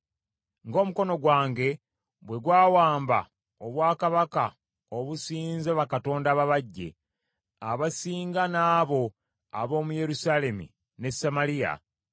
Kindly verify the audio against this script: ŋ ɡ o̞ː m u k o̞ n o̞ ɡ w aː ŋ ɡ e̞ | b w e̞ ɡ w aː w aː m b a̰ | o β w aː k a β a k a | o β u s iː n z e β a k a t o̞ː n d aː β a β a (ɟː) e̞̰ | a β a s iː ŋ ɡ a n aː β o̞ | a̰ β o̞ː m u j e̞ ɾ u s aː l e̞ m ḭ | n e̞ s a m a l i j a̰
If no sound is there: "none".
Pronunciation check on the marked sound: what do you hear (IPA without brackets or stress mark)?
ɟː